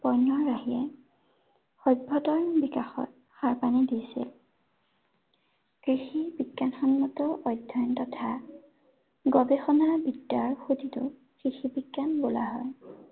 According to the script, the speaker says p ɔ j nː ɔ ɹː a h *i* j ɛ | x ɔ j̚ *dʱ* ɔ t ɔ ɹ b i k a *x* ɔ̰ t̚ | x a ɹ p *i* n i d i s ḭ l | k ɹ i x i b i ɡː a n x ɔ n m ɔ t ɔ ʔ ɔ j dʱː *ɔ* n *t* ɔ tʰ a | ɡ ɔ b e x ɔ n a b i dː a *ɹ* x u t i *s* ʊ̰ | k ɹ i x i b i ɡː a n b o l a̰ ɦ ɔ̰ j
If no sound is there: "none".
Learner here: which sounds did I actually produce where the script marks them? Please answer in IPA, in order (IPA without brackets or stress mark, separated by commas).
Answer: i, bʱ, x, a, ɔ, t, ɹ, t